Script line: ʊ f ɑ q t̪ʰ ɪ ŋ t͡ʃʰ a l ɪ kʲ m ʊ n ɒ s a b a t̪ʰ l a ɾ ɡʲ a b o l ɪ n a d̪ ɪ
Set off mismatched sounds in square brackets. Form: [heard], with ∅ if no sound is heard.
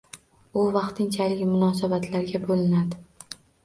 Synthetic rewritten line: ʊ [v] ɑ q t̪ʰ ɪ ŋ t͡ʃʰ a l ɪ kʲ m ʊ n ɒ s a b a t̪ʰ l a ɾ ɡʲ a b o l ɪ n a d̪ ɪ